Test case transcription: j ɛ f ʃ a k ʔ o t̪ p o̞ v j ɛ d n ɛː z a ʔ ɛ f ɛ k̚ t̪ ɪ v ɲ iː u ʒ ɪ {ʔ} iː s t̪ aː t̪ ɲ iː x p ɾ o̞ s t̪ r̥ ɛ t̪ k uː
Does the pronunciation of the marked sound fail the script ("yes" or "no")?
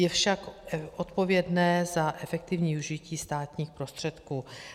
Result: yes